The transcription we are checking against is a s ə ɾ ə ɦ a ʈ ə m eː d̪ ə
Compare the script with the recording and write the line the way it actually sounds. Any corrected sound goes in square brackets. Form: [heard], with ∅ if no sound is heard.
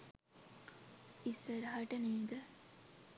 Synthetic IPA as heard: [i] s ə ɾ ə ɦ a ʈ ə [n] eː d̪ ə